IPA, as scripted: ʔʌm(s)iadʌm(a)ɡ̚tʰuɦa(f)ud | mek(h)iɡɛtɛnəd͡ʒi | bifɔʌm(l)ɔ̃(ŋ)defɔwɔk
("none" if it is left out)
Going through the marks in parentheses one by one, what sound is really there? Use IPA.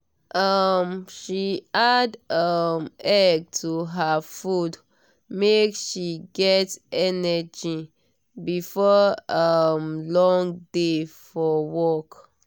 ʃ, ɛ, f, ʃ, l, ŋ

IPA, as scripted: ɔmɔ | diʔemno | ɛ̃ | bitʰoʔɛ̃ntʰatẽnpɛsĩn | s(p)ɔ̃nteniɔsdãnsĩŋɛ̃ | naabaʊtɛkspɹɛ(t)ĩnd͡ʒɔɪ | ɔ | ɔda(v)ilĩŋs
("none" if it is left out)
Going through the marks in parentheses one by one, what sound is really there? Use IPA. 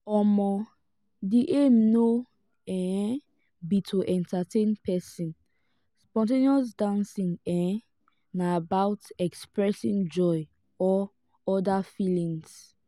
p, s, f

